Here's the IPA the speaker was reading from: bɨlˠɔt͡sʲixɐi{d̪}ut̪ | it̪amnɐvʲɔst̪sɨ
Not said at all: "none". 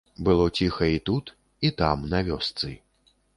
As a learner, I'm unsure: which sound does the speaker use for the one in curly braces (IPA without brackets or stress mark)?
t̪